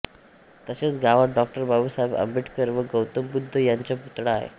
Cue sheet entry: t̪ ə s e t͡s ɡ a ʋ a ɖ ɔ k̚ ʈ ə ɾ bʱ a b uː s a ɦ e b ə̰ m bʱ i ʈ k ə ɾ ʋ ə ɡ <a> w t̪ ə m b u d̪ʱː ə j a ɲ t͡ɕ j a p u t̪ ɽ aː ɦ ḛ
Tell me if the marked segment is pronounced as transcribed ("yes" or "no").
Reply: no